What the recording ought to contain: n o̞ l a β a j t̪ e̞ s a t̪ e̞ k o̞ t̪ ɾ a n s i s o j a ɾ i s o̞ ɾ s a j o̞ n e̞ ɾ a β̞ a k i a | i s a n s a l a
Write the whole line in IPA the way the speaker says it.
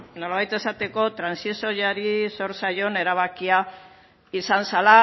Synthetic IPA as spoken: n o̞ l a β a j t̪ e̞ s a t̪ e̞ k o̞ t̪ ɾ a n s i s o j a ɾ i s o̞ ɾ s a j o̞ n e̞ ɾ a β̞ a k i a | i s a n s a l a

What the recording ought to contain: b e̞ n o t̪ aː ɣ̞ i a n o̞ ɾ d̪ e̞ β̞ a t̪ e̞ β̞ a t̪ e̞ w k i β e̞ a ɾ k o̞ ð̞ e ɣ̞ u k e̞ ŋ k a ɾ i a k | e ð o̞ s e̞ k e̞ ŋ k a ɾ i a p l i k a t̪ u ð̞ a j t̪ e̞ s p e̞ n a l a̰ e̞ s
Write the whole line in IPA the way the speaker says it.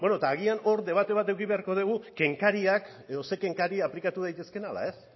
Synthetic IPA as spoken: b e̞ n o t̪ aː ɣ̞ i a n o̞ ɾ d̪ e̞ β̞ a t̪ e̞ β̞ a t̪ e̞ w k i β e̞ a ɾ k o̞ ð̞ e ɣ̞ u k e̞ ŋ k a ɾ i a k | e ð o̞ s e̞ k e̞ ŋ k a ɾ i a p l i k a t̪ u ð̞ a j t̪ e̞ s k e̞ n a l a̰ e̞ s

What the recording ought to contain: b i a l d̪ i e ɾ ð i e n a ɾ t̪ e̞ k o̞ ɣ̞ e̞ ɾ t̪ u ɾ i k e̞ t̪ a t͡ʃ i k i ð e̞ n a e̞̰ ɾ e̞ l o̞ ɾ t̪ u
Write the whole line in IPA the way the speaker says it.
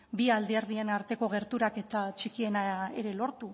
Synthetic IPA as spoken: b i a l d̪ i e ɾ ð i e n a ɾ t̪ e̞ k o̞ ɣ̞ e̞ ɾ t̪ u ɾ a k e̞ t̪ a t͡ʃ i k i e̞ n a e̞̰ ɾ e̞ l o̞ ɾ t̪ u

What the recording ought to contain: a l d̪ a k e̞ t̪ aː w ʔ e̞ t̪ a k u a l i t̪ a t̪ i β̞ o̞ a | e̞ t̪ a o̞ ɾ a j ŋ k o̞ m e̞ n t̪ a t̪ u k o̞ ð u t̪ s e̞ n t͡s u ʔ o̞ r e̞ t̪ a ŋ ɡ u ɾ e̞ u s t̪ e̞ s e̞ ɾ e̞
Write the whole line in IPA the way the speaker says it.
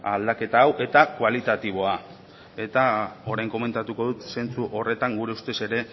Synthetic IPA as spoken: a l d̪ a k e̞ t̪ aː w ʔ e̞ t̪ a k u a l i t̪ a t̪ i β̞ o̞ a | e̞ t̪ a o̞ ɾ a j ŋ k o̞ m e̞ n t̪ a t̪ u k o̞ ð u t̪ s e̞ n t͡s u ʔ o̞ r e̞ t̪ a ŋ ɡ u ɾ e̞ u s t̪ e̞ s e̞ ɾ e̞

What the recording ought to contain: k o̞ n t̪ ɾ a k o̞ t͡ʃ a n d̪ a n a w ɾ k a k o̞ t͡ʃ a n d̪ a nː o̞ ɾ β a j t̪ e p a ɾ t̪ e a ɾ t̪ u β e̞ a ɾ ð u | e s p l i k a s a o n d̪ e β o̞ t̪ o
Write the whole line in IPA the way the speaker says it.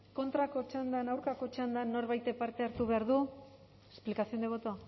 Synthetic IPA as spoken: k o̞ n t̪ ɾ a k o̞ t͡ʃ a n d̪ a n a w ɾ k a k o̞ t͡ʃ a n d̪ a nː o̞ ɾ β a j t̪ e p a ɾ t̪ e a ɾ t̪ u β e̞ a ɾ ð u | e s p l i k a s i o n d̪ e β o̞ t̪ o

